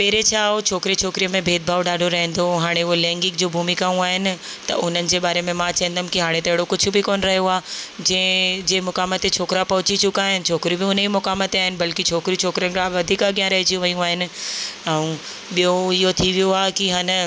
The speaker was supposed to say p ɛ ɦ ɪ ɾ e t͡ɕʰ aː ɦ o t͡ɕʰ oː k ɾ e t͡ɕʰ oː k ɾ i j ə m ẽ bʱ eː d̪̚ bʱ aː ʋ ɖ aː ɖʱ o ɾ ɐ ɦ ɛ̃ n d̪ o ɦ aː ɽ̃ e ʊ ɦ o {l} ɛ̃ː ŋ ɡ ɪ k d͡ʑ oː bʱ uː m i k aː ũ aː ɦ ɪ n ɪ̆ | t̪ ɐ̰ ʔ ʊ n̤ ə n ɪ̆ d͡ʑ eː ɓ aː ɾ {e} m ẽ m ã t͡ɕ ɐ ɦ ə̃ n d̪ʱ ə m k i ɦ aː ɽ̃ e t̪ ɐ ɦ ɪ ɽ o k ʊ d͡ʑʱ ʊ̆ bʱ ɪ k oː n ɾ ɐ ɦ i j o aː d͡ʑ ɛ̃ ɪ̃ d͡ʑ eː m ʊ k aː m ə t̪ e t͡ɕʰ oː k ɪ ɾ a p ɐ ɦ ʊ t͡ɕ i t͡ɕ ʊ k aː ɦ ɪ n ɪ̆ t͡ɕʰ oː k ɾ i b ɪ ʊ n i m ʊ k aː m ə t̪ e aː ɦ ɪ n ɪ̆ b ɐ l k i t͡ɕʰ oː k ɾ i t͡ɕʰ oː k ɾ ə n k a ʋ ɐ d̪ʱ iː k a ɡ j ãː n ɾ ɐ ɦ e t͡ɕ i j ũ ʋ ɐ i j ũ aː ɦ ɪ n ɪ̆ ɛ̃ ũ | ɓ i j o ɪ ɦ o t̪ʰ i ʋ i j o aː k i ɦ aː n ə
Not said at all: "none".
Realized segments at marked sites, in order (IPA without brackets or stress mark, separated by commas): l, e